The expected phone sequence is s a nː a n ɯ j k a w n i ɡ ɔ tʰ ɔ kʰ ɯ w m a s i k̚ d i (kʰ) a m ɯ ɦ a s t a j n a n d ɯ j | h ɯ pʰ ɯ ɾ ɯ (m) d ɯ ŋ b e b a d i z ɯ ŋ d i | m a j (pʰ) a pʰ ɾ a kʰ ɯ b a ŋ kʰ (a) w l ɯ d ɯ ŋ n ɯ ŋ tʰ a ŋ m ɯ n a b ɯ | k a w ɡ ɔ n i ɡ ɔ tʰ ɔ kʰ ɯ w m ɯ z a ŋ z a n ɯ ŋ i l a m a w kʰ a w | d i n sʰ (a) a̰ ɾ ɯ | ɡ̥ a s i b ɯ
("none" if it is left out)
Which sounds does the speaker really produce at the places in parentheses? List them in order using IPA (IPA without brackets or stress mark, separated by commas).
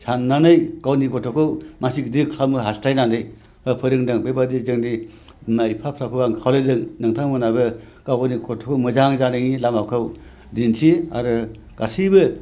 kʰ, ŋ, pʰ, a, i